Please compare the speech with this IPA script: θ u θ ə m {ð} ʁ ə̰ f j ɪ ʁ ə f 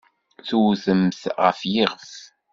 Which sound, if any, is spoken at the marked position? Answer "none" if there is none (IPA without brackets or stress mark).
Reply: θ